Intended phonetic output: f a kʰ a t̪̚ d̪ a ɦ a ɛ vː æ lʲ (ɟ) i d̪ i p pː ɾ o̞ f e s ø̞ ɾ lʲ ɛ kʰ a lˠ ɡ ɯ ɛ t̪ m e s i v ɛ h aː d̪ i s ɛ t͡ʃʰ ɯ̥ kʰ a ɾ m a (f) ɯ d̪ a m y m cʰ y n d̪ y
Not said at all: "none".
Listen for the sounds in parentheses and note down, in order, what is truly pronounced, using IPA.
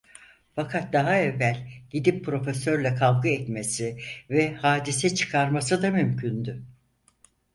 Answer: ɟ, s

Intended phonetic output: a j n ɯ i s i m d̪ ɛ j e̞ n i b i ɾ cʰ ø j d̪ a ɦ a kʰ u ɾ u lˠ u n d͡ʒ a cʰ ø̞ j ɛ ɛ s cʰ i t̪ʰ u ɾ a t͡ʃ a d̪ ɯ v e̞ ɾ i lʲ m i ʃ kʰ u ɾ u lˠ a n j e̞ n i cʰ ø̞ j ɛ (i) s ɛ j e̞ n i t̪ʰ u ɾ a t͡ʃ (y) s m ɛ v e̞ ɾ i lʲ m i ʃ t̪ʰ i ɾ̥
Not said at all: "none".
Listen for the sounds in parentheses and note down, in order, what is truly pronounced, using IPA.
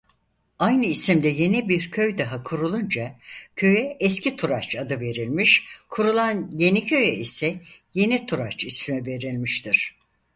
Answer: i, i

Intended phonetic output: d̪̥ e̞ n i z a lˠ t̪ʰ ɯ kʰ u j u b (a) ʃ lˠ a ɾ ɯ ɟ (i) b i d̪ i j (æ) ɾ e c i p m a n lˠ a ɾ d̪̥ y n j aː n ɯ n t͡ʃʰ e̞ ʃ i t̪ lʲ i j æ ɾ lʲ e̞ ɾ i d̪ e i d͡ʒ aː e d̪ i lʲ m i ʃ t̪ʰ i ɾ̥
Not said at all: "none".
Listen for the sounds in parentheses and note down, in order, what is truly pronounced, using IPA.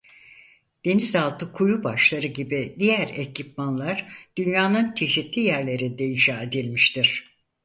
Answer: a, i, æ

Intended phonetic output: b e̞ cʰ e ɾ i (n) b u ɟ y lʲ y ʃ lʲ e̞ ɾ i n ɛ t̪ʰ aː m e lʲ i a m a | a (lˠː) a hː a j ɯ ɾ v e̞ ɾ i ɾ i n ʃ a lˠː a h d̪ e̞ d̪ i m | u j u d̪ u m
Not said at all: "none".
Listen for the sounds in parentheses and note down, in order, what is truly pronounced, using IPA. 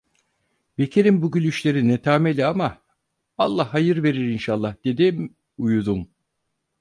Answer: m, lˠː

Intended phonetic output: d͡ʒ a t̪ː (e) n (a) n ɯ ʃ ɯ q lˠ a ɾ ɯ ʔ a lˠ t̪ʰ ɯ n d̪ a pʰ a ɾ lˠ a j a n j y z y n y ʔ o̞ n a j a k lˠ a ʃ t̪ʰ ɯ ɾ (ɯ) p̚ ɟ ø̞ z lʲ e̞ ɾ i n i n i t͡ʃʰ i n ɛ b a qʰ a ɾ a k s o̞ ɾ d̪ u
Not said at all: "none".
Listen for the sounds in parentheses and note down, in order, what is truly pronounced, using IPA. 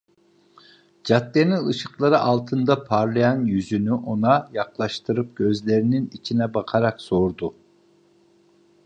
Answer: e, i, ɯ

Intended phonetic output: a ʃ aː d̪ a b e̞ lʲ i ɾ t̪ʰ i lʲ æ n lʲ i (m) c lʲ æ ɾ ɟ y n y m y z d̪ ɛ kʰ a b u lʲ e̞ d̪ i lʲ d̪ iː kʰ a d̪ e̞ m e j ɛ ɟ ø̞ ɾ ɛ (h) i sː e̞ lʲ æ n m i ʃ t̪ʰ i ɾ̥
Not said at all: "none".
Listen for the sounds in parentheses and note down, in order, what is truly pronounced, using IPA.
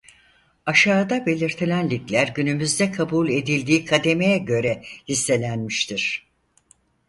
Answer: none, h

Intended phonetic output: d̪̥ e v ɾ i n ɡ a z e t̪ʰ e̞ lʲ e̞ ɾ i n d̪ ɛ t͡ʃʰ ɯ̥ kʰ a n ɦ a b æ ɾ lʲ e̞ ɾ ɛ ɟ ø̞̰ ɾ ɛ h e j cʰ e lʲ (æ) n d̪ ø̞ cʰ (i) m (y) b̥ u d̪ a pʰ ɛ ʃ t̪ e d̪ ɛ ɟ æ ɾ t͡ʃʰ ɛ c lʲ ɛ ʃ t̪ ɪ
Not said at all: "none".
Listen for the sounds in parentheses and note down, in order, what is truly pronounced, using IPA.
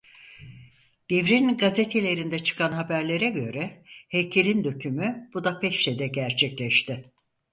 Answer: i, y, y

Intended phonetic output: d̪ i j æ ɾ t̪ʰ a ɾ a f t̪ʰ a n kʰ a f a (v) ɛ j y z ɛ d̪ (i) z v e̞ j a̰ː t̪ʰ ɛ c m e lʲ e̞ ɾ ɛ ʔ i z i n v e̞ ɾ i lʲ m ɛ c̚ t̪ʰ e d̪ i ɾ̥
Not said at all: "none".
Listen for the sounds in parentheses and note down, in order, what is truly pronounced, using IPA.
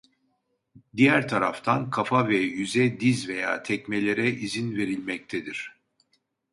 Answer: v, i

